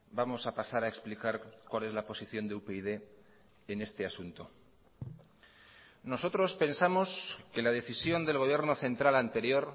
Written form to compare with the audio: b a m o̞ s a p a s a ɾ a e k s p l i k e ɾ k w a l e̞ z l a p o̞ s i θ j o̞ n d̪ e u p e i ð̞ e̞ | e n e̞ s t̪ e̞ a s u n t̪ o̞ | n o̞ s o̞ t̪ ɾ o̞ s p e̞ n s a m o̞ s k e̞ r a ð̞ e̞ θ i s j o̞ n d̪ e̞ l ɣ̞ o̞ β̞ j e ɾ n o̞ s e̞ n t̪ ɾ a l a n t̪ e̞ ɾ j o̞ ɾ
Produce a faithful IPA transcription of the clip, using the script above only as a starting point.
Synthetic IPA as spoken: b a m o̞ s a p a s a ɾ a e k s p l i k a ɾ k w a l e̞ z l a p o̞ s i θ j o̞ n d̪ e u p e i ð̞ e̞ | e n e̞ s t̪ e̞ a s u n t̪ o̞ | n o̞ s o̞ t̪ ɾ o̞ s p e̞ n s a m o̞ s k e̞ l a ð̞ e̞ θ i s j o̞ n d̪ e̞ l ɣ̞ o̞ β̞ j e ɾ n o̞ θ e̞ n t̪ ɾ a l a n t̪ e̞ ɾ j o̞ ɾ